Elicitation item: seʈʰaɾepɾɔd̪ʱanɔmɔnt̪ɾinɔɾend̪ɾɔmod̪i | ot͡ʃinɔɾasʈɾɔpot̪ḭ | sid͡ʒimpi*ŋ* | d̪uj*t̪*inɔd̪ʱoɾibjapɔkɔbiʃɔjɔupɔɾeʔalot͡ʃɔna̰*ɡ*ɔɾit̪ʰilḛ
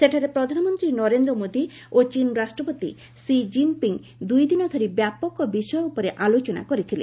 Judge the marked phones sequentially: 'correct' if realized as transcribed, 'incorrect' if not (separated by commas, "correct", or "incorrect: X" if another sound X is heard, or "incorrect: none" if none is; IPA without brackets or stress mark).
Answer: correct, incorrect: d̪, incorrect: k